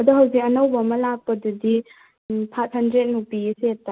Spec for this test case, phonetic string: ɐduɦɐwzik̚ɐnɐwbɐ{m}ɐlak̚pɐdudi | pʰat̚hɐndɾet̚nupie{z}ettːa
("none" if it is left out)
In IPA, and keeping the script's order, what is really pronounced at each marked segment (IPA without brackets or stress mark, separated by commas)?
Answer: m, s